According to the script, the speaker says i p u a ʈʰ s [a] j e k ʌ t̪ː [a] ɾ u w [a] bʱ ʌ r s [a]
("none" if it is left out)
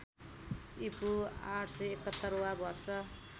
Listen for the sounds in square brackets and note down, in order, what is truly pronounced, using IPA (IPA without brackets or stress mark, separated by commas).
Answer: ʌ, ʌ, a, ʌ